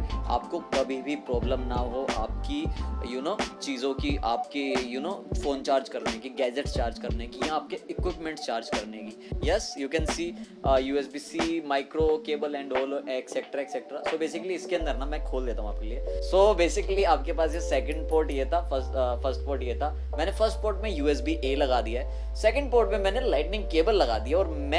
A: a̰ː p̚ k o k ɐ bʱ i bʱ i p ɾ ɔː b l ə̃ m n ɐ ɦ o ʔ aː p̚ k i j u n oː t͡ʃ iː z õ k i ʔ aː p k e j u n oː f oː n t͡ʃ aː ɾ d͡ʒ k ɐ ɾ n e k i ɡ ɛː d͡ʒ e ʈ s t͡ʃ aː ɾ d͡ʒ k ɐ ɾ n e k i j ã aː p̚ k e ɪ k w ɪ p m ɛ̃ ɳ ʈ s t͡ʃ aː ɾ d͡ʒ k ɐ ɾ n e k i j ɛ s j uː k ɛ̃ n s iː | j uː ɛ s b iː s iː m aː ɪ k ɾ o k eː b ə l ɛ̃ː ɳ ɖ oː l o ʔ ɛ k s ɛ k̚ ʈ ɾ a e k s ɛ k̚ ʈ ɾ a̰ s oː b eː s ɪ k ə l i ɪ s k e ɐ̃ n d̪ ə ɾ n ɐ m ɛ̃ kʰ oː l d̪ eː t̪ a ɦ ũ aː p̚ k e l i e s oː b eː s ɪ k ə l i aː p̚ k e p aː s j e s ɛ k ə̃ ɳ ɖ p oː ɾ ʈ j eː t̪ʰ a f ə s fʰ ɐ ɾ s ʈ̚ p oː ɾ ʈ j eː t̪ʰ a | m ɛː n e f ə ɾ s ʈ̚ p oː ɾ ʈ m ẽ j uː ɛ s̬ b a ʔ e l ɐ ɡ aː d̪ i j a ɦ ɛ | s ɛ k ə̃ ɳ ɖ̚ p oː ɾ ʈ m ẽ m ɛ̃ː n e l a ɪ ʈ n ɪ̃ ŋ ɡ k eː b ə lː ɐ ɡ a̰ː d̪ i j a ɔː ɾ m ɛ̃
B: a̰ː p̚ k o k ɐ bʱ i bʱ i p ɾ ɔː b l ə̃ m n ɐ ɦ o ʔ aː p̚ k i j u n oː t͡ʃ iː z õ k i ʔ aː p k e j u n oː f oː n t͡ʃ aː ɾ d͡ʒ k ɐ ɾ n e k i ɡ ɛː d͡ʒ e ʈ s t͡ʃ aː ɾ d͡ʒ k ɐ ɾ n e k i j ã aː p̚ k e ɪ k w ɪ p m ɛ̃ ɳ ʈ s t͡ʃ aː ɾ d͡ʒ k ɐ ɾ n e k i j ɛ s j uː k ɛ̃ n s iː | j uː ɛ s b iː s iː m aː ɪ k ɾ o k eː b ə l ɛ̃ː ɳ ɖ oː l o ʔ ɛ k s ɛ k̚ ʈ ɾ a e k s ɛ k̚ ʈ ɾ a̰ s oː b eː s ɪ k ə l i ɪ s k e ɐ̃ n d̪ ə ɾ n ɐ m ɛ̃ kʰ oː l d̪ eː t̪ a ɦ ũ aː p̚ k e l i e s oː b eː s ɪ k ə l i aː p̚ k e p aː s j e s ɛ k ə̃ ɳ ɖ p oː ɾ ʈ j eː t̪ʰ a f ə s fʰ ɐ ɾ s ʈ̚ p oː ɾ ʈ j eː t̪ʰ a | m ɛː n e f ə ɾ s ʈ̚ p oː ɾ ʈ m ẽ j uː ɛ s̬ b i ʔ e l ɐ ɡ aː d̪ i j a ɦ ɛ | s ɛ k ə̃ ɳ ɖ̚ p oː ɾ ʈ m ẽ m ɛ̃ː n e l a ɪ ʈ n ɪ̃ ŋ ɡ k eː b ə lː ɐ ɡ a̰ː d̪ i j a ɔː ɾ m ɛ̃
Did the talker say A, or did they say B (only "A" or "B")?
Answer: B